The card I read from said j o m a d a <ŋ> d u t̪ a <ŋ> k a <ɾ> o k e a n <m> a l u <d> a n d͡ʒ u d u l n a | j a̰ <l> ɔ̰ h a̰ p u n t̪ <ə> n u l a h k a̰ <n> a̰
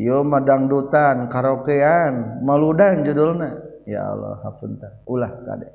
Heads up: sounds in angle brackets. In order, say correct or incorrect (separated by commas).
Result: correct, incorrect, correct, correct, correct, correct, incorrect, incorrect